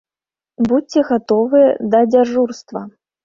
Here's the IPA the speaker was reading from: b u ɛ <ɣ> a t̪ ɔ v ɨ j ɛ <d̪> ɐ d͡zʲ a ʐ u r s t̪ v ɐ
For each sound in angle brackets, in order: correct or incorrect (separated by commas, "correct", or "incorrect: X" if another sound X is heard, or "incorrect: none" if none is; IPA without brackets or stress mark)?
correct, correct